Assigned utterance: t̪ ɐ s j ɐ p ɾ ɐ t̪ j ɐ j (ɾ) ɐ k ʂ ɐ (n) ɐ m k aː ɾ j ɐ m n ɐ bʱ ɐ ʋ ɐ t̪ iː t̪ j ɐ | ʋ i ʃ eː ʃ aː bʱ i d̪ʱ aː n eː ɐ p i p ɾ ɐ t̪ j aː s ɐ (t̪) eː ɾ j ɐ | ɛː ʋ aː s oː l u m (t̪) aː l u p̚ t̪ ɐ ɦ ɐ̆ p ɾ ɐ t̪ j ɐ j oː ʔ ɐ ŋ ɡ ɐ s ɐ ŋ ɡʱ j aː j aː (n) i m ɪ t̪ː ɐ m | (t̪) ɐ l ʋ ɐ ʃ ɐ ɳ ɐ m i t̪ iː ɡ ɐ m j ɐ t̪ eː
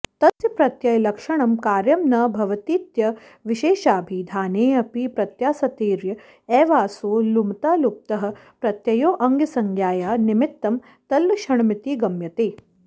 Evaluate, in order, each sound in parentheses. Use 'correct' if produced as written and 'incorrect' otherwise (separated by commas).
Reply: incorrect, incorrect, correct, correct, correct, correct